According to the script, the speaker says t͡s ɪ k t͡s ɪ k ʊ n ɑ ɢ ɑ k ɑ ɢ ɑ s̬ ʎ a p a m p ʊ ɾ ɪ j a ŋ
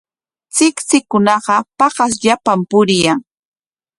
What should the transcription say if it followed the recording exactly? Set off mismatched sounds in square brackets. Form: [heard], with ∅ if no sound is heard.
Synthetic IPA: t͡s ɪ k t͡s ɪ k ʊ n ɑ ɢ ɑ [p] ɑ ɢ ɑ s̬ ʎ a p a m p ʊ ɾ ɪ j a ŋ